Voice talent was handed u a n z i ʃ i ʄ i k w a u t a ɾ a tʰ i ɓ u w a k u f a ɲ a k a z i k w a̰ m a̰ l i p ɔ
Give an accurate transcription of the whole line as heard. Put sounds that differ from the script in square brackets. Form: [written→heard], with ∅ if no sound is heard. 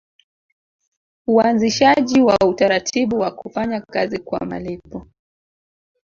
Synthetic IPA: u a n z i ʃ [i→a] ʄ i [k→∅] w a u t a ɾ a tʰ i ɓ u w a k u f a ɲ a k a z i k w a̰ m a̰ l i p ɔ